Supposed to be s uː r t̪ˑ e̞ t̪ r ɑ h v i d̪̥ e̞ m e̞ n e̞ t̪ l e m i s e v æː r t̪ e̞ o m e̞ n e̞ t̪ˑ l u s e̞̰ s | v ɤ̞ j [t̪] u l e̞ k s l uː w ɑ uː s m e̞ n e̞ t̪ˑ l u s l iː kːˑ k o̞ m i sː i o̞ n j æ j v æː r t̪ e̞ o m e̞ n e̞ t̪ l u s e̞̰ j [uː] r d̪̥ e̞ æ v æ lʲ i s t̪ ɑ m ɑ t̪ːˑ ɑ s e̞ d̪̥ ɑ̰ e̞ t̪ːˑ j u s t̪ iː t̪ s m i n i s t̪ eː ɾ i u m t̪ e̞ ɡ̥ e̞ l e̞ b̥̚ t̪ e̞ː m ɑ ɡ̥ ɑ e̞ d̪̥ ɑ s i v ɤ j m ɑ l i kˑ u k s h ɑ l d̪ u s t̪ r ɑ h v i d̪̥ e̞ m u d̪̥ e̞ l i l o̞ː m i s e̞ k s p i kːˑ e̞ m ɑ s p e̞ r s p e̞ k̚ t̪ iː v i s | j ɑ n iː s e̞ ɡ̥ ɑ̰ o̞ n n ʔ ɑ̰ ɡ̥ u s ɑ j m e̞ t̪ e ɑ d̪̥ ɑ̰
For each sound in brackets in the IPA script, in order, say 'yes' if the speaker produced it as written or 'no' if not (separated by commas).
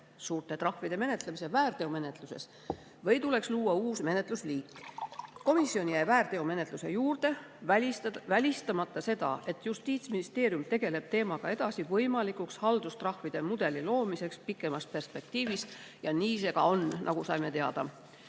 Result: yes, yes